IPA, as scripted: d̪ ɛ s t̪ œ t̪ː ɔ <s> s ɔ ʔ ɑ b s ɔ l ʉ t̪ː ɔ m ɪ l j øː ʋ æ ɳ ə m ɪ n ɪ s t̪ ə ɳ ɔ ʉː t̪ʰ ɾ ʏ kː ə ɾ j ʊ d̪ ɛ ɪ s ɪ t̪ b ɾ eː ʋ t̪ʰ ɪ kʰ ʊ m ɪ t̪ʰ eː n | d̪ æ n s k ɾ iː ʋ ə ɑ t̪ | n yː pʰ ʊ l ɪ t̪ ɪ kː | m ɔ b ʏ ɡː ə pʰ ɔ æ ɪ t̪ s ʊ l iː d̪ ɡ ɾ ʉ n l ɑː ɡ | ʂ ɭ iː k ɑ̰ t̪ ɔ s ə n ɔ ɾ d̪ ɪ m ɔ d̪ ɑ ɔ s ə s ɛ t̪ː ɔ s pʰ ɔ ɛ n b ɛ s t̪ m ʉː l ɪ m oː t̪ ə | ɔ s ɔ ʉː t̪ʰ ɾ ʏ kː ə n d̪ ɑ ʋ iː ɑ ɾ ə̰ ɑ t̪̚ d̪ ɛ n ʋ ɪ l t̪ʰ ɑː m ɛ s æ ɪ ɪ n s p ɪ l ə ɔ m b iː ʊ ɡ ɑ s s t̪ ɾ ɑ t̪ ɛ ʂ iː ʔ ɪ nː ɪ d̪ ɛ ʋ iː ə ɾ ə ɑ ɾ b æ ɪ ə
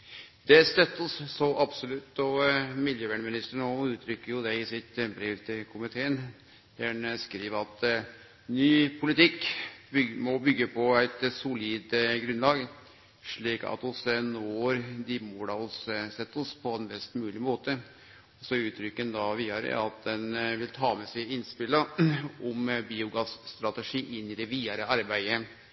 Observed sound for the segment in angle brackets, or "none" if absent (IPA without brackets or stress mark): s